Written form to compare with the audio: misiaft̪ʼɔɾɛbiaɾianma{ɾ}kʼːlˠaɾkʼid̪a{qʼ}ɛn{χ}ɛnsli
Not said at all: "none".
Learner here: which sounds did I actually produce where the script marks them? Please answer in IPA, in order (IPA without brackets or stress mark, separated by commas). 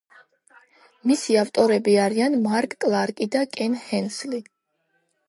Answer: ɾ, kʼ, h